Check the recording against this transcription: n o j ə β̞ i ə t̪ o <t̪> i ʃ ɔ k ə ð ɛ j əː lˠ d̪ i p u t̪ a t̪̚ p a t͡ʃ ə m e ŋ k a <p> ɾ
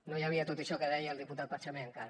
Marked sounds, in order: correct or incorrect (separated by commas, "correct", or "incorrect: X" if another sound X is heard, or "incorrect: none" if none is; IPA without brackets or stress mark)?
correct, incorrect: none